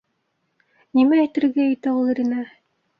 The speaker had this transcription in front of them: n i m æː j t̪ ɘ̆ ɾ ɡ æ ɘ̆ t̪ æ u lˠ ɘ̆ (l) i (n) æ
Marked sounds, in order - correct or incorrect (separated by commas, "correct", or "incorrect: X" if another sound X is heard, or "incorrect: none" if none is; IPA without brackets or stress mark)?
incorrect: ɾ, correct